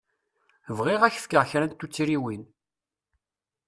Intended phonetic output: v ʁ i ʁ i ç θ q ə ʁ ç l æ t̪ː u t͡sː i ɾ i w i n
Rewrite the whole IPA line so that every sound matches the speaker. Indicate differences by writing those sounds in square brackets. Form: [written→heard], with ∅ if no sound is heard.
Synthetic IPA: v ʁ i ʁ [i→æ] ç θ [q→k] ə ʁ ç [l→ɾ] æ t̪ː u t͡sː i ɾ i w i n